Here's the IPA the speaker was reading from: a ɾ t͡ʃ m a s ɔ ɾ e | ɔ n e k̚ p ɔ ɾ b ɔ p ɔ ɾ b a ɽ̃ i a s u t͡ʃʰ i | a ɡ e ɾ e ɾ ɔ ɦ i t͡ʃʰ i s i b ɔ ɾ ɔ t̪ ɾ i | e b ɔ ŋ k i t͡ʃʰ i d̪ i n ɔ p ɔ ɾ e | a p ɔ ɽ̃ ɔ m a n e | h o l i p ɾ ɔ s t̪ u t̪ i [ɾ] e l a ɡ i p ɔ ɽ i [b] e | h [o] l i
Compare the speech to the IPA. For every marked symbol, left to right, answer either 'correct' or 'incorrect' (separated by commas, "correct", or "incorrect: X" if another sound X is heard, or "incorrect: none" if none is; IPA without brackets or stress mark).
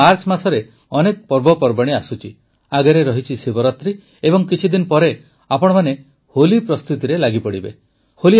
correct, correct, correct